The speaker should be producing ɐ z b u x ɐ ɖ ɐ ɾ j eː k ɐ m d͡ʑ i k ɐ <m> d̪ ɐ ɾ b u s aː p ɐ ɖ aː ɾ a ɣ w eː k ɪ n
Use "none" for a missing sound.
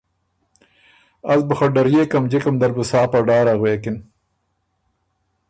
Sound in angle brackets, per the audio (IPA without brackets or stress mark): m